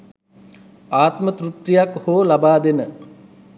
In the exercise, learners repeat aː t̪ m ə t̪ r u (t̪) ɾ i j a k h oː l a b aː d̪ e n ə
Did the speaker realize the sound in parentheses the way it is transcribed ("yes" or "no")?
yes